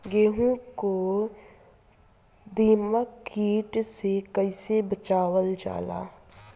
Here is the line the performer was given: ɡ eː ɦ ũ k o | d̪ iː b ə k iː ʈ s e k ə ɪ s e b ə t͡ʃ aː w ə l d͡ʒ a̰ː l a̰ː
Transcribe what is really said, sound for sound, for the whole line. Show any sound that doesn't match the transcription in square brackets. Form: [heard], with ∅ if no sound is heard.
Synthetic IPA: ɡ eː ɦ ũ k o | d̪ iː [m] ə k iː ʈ s e k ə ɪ s e b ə t͡ʃ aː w ə l d͡ʒ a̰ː l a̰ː